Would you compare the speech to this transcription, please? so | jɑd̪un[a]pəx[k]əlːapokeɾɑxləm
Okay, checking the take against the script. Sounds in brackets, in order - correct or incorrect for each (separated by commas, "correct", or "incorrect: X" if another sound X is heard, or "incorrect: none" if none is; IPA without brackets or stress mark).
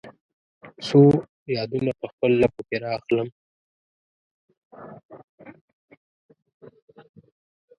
correct, incorrect: p